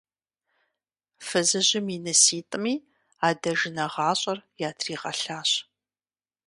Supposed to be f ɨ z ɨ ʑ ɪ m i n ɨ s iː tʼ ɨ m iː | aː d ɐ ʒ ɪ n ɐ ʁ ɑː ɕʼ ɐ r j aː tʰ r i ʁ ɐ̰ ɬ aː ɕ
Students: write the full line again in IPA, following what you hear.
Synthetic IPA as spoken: f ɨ z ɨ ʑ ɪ m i n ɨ s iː tʼ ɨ m iː | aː d ɐ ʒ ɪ n ɐ ʁ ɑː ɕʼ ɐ r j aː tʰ r iː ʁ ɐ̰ ɬ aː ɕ